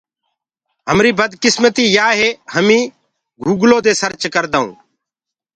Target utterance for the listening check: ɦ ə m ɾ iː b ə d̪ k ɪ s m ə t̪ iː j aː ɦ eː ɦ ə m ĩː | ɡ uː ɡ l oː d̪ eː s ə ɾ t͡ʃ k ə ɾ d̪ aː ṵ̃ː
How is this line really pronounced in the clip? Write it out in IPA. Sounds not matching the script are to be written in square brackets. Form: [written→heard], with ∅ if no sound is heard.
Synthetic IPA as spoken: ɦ ə m ɾ iː b ə d̪ k ɪ s m ə t̪ iː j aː ɦ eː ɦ ə m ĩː | ɡ uː ɡ l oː d̪ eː s ə ɾ t͡ʃ k ə ɾ d̪ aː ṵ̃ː